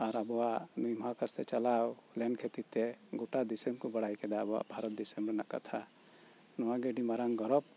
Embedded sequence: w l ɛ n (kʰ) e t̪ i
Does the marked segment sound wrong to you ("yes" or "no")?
no